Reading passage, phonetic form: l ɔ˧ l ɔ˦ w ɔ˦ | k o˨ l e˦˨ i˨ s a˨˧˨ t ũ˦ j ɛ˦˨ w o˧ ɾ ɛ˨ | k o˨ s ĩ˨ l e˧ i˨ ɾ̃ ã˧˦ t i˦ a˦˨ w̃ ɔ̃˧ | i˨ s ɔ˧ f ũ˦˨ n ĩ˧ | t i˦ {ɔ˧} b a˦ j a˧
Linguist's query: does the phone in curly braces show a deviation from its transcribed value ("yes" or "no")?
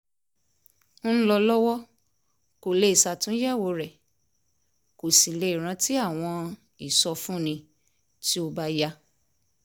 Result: yes